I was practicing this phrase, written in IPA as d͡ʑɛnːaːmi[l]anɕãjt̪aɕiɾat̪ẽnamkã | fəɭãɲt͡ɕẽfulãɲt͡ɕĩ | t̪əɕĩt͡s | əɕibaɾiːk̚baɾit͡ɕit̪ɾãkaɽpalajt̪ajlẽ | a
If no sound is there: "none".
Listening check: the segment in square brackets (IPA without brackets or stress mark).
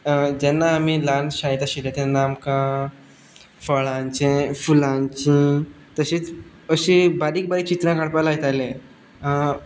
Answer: l